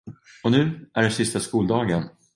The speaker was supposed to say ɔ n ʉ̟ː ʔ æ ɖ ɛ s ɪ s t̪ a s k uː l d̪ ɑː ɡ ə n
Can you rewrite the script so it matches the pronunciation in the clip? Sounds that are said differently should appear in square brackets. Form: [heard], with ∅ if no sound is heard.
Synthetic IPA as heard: ɔ n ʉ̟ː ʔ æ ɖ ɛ s ɪ s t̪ a s k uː l d̪ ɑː ɡ ə n